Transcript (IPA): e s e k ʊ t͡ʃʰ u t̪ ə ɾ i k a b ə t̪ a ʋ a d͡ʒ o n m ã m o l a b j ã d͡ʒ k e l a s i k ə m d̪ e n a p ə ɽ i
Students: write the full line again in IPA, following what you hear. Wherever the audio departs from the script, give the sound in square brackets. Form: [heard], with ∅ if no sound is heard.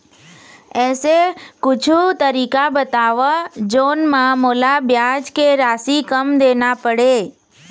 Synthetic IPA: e s e k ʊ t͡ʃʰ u t̪ ə ɾ i k a b ə t̪ a ʋ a d͡ʒ o n m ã m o l a b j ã d͡ʒ k e [ɾ] a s i k ə m d̪ e n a p ə ɽ [e]